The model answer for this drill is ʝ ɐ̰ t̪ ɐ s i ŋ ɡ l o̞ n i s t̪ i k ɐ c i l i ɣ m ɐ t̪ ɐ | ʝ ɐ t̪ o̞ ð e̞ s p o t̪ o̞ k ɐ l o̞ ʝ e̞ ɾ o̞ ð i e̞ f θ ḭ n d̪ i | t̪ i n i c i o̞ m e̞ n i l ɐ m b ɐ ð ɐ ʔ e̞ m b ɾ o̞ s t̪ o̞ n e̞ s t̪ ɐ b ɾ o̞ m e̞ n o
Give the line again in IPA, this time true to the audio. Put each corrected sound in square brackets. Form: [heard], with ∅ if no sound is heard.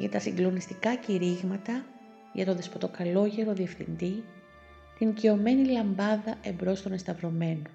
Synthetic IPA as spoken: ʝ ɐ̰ t̪ ɐ s i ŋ ɡ l o̞ n i s t̪ i k ɐ c i [ɾ] i ɣ m ɐ t̪ ɐ | ʝ ɐ t̪ o̞ ð e̞ s p o t̪ o̞ k ɐ l o̞ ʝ e̞ ɾ o̞ ð i e̞ f θ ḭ n d̪ i | t̪ i n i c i o̞ m e̞ n i l ɐ m b ɐ ð ɐ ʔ e̞ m b ɾ o̞ s t̪ o̞ n e̞ s t̪ ɐ [v] ɾ o̞ m e̞ n o